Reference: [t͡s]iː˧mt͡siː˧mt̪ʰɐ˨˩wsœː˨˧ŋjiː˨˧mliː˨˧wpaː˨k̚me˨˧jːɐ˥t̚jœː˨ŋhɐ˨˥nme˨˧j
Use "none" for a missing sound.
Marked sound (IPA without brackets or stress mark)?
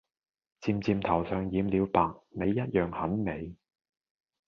t͡s